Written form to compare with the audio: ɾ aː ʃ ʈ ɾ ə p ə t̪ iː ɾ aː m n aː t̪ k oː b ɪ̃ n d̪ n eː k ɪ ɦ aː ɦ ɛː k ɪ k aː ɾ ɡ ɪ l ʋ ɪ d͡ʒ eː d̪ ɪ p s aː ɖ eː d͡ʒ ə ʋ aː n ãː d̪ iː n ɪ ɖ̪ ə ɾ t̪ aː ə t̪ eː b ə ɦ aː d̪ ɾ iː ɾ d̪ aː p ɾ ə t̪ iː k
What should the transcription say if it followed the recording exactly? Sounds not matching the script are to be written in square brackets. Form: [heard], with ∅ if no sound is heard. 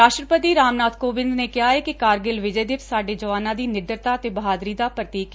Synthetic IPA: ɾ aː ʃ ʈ ɾ ə p ə t̪ iː ɾ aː m n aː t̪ k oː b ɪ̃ n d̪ n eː k ɪ ɦ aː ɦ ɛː k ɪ k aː ɾ ɡ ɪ l ʋ ɪ d͡ʒ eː d̪ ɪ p s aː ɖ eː d͡ʒ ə ʋ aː n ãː d̪ iː n ɪ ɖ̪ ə ɾ t̪ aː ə t̪ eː b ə ɦ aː d̪ ɾ iː [∅] d̪ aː p ɾ ə t̪ iː k